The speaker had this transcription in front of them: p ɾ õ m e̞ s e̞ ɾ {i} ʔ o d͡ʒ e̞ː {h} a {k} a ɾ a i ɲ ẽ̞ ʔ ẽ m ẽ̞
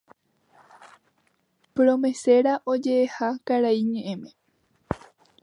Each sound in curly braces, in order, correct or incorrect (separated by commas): incorrect, correct, correct